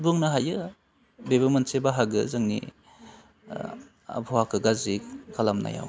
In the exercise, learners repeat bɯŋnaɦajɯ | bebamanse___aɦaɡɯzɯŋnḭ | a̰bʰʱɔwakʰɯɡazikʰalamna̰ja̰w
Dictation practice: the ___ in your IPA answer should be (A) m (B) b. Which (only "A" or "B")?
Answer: B